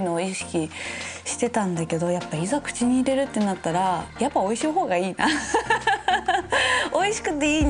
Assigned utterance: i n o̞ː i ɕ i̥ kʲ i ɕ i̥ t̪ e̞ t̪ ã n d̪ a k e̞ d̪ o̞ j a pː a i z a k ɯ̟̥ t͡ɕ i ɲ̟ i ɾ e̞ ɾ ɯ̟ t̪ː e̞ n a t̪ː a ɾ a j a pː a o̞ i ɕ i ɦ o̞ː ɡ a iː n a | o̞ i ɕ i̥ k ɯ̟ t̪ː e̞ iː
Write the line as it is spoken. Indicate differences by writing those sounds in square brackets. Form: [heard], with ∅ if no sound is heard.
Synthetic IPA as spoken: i n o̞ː i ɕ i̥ kʲ i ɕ i̥ t̪ e̞ t̪ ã n d̪ a k e̞ d̪ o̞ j a pː a i z a k ɯ̟̥ t͡ɕ i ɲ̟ [iː] ɾ e̞ ɾ ɯ̟ t̪ː e̞ n a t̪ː a ɾ a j a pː a o̞ i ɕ i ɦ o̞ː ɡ a iː n a | o̞ i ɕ i̥ k ɯ̟ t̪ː e̞ iː

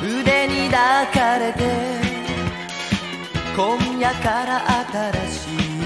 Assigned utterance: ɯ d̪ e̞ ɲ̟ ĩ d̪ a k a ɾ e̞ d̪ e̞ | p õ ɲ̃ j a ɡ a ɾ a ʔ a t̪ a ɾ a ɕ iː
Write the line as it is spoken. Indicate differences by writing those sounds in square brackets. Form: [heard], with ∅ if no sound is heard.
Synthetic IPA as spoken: ɯ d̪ e̞ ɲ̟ [i] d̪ a k a ɾ e̞ [t̪] e̞ | [k] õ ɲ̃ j a [k] a ɾ a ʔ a t̪ a ɾ a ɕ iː

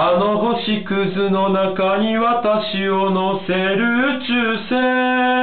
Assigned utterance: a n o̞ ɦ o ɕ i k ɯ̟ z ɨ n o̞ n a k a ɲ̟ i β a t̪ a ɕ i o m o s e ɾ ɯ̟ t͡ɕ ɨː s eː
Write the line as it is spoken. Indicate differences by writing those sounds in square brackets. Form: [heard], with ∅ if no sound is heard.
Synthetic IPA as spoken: a n o̞ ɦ o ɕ i k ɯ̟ z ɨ n o̞ n a k a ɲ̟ i β a t̪ a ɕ i o [n] o s e ɾ ɯ̟ t͡ɕ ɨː s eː

